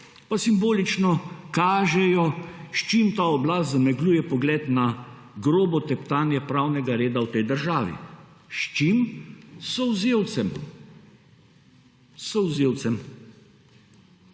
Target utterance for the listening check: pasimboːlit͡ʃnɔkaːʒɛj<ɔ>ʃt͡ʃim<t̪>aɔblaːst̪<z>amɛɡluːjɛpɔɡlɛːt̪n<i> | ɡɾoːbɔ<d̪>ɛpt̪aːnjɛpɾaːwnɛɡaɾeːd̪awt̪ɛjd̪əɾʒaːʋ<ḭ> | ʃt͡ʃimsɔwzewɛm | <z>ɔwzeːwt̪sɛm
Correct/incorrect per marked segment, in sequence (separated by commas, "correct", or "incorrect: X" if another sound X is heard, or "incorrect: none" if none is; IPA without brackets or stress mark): correct, correct, correct, incorrect: a, incorrect: t̪, correct, incorrect: s